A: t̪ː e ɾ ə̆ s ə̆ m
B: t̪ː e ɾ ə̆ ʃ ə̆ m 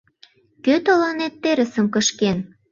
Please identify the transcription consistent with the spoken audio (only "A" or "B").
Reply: A